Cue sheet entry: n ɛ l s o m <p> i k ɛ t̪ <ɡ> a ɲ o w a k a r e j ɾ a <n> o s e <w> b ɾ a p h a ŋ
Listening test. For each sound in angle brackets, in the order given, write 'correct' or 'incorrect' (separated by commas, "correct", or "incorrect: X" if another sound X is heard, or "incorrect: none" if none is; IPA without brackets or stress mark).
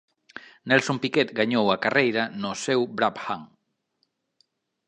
correct, correct, correct, correct